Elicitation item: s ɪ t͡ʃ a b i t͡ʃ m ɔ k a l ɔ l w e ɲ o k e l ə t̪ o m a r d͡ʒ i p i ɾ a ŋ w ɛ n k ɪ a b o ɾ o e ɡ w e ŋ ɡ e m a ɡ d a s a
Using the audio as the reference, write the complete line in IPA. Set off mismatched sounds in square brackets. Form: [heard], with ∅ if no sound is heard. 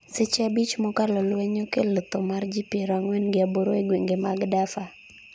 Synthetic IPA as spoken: s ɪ t͡ʃ a b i t͡ʃ m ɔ k a l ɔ l w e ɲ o k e l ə t̪ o m a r d͡ʒ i p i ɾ a ŋ w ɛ n [ɡ] ɪ a b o ɾ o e ɡ w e ŋ ɡ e m a ɡ d a [f] a